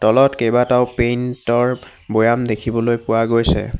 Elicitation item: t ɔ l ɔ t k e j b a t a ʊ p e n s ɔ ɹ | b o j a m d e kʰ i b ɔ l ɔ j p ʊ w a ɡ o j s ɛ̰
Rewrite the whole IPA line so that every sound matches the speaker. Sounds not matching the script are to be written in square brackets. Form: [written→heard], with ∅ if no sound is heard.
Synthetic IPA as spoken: t ɔ l ɔ t k e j b a t a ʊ p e n [s→t] ɔ ɹ | b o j a m d e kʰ i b ɔ l [ɔ→o] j p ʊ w a ɡ o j s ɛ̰